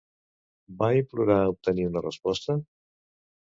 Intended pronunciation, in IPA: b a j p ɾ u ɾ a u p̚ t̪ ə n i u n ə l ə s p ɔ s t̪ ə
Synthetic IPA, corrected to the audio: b a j p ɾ u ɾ a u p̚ t̪ ə n i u n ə r ə s p ɔ s t̪ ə